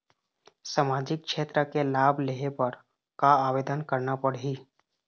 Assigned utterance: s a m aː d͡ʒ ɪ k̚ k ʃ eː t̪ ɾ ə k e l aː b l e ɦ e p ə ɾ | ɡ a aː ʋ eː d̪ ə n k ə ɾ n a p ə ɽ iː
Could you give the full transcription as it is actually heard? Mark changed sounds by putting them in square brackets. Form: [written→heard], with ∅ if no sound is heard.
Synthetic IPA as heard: s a m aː d͡ʒ ɪ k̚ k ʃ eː t̪ ɾ ə k e l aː b l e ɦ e p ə ɾ | [ɡ→k] a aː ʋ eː d̪ ə n k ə ɾ n a p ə ɽ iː